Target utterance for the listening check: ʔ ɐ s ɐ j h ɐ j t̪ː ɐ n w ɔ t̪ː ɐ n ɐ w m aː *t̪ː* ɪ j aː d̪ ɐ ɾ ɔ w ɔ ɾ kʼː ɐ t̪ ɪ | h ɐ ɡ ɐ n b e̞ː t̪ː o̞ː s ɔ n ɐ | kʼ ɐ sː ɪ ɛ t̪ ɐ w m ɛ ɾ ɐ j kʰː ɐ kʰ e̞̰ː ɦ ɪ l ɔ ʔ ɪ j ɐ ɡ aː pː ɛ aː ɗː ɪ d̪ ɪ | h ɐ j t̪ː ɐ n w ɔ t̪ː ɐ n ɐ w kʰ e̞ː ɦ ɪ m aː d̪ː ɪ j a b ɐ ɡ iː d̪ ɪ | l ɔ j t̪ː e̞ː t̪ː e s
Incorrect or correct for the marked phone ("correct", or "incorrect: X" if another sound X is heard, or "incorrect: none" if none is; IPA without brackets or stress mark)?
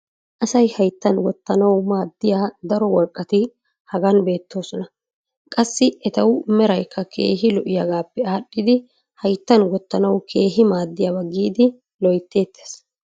incorrect: d̪ː